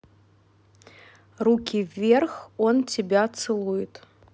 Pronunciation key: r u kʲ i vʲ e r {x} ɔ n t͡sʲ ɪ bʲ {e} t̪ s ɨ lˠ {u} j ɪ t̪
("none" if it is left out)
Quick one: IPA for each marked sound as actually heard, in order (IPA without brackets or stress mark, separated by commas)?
x, a, u